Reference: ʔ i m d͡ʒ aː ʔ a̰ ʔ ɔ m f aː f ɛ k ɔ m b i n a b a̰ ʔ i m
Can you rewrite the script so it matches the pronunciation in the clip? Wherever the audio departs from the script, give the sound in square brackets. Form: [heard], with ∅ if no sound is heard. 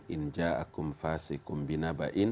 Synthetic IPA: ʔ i [n] d͡ʒ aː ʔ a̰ [k] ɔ m f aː [s] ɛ k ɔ m b i n a b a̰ ʔ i [n]